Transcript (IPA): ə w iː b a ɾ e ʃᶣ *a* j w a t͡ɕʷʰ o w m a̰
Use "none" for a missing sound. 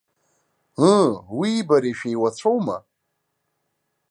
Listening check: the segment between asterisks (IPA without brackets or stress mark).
e